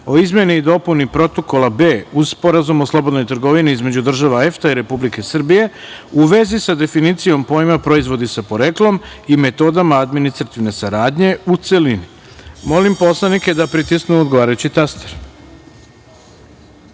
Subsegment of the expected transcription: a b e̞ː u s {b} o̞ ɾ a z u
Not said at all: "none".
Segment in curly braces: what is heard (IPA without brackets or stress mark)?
p